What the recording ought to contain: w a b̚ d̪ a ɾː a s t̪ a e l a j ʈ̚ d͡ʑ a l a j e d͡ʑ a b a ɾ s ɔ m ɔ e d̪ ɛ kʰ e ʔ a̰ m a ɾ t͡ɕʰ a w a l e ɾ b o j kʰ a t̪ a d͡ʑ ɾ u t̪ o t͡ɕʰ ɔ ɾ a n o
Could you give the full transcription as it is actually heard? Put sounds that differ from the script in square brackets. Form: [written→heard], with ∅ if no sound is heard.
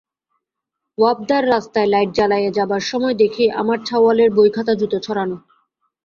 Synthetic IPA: w a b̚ d̪ a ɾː a s t̪ a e l a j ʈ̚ d͡ʑ a l a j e d͡ʑ a b a ɾ [s→ʃ] ɔ m ɔ e d̪ [ɛ→e] kʰ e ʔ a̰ m a ɾ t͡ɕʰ a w a l e ɾ b o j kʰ a t̪ a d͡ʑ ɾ u t̪ o t͡ɕʰ ɔ ɾ a n o